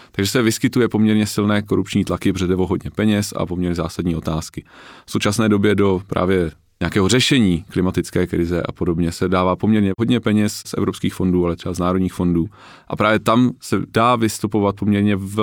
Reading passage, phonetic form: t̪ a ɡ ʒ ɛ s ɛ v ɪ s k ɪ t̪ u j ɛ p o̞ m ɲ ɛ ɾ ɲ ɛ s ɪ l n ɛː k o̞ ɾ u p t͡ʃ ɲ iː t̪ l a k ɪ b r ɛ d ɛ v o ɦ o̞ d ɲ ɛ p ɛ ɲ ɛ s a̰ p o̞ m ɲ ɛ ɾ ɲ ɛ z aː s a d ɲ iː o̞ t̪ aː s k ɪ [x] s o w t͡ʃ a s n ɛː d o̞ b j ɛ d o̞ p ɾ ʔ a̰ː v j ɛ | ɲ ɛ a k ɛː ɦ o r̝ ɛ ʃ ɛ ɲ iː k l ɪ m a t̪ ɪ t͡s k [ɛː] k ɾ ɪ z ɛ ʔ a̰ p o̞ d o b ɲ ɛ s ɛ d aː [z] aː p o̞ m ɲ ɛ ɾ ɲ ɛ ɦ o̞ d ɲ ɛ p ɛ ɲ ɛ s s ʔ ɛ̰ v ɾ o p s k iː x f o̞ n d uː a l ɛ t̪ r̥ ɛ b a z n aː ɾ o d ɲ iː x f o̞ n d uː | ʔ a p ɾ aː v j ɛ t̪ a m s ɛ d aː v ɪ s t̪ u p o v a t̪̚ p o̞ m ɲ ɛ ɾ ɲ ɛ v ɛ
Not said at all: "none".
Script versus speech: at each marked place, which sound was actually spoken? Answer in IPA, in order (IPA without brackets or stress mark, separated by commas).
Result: f, ɛː, v